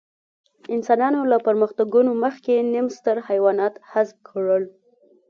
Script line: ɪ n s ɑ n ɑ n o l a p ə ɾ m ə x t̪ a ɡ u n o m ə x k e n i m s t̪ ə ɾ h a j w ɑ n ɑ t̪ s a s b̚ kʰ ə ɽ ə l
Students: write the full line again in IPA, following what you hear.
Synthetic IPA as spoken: ɪ n s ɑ n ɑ n o l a p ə ɾ m ə x t̪ a ɡ u n o m ə x k e n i m s t̪ ə ɾ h a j w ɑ n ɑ t̪ h a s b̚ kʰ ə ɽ ə l

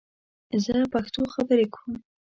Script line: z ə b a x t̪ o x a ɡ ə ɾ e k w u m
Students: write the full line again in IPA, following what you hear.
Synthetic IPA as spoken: z ə p a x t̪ o x a b ə ɾ e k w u m

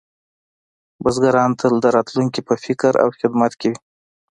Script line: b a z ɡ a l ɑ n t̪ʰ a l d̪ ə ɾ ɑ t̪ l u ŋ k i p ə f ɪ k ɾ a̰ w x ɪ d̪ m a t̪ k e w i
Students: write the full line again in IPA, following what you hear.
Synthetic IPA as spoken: b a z ɡ a ɾ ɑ n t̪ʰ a l d̪ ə ɾ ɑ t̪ l u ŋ k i p ə f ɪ k ɾ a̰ w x ɪ d̪ m a t̪ k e w i

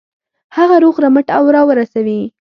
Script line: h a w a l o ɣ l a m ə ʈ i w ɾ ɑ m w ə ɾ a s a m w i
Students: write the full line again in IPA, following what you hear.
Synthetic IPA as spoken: h a ɣ a ɾ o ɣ ɾ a m ə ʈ a w ɾ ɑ w ə ɾ a s a w i

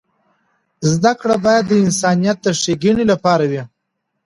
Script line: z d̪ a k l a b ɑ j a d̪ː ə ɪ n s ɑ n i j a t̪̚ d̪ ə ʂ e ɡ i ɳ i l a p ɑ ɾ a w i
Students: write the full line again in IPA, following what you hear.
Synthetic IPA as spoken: z d̪ a k ɽ a b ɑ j a d̪ː ə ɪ n s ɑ n i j a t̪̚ d̪ ə ʂ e ɡ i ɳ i l a p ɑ ɾ a w i

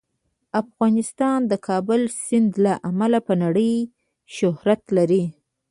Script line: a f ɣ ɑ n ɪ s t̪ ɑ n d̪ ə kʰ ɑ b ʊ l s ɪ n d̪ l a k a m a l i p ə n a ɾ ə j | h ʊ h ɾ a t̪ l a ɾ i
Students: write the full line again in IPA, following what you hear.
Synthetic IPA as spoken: a f ɣ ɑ n ɪ s t̪ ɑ n d̪ ə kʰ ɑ b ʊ l s ɪ n d̪ l a ʔ a m a l a p ə n a ɽ ə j | ʃ ʊ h ɾ a t̪ l a ɾ i

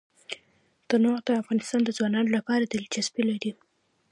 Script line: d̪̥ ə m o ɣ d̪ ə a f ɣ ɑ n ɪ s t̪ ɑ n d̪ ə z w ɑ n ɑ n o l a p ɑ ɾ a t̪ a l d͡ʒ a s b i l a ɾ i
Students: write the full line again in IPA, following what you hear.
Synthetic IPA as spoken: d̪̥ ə n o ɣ d̪ ə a f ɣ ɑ n ɪ s t̪ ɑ n d̪ ə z w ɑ n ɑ n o l a p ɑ ɾ a d̪ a l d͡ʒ a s b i l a ɾ i

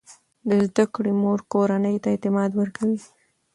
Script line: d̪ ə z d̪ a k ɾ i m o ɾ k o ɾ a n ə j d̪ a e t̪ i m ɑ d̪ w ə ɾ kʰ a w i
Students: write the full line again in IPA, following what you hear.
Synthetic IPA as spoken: d̪ ə z d̪ a k ɽ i m o ɾ k o ɾ a n ə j t̪ a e t̪ ɪ m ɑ d̪ w ə ɾ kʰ a w i

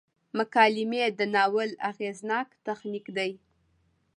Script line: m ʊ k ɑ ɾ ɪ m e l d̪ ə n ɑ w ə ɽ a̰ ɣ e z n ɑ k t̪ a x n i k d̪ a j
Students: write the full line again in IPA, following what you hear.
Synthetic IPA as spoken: m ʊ k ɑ l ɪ m e d̪ ə n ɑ w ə l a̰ ɣ e z n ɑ k t̪ a x n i k d̪ a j

